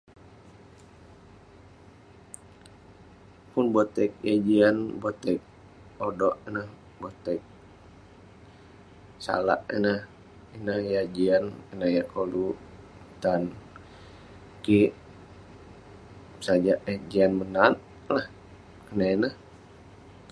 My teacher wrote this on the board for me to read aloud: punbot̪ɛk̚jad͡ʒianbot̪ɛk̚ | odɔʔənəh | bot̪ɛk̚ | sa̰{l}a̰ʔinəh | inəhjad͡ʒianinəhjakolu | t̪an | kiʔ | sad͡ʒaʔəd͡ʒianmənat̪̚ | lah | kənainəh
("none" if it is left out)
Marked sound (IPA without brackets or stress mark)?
l